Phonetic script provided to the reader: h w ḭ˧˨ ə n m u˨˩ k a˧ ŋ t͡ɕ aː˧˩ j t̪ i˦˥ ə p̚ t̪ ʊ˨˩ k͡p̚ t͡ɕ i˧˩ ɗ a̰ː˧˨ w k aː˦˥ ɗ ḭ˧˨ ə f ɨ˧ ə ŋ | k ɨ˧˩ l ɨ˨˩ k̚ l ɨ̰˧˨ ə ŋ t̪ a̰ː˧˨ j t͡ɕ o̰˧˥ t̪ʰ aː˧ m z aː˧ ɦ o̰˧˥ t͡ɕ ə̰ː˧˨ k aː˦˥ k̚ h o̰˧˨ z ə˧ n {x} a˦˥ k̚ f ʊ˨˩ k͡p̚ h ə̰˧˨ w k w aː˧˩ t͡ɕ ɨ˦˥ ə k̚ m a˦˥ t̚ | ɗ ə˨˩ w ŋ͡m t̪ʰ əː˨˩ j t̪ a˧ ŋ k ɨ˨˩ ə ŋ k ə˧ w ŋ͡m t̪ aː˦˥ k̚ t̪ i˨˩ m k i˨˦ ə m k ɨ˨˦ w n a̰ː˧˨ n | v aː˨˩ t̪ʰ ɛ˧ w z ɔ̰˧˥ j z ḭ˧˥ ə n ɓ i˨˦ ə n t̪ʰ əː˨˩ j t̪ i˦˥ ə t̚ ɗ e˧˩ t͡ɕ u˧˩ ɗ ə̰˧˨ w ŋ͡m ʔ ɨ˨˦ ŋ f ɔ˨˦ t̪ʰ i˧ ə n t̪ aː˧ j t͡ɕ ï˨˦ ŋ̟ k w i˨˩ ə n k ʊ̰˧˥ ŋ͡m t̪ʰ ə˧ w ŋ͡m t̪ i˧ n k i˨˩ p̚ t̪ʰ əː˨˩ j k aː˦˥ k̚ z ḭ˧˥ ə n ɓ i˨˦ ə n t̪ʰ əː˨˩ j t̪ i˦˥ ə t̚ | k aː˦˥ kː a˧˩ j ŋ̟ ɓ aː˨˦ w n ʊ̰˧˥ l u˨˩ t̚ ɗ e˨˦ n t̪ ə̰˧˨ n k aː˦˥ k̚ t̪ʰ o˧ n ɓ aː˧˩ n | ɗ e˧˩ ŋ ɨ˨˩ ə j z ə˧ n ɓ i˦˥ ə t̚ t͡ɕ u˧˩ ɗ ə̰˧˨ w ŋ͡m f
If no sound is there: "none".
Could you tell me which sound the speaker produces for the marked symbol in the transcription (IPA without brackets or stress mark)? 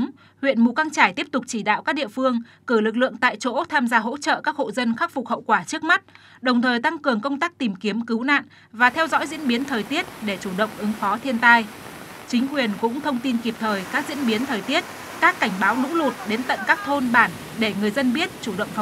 x